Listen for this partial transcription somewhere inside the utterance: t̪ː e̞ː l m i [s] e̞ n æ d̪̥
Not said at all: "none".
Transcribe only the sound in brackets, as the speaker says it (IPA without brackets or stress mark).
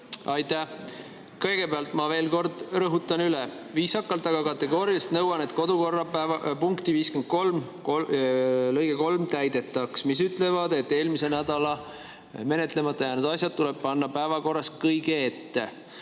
s